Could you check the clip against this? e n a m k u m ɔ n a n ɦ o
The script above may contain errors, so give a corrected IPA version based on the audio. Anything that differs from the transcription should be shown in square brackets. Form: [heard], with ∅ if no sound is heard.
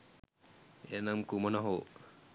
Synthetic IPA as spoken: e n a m k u m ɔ n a [∅] ɦ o